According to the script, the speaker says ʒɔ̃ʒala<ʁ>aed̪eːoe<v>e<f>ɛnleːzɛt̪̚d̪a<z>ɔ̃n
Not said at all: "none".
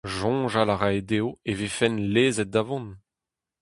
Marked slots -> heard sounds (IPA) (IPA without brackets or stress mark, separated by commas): ʁ, v, f, v